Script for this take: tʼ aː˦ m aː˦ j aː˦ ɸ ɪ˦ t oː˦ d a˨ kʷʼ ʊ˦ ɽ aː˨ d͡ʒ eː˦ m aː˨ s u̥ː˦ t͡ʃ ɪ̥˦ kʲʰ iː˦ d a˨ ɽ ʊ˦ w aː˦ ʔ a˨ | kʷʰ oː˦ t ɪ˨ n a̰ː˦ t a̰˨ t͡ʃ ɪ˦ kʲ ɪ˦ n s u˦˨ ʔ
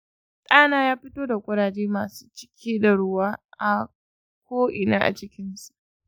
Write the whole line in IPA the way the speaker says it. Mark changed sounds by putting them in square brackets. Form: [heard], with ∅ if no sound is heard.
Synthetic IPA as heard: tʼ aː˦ [n] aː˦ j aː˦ ɸ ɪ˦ t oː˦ d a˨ kʷʼ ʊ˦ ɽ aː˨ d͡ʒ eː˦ m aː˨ s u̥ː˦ t͡ʃ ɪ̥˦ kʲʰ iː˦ d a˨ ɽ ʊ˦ w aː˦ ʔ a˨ | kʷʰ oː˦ [ʔ] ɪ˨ n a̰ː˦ [ʔ] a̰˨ t͡ʃ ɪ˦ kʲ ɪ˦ n s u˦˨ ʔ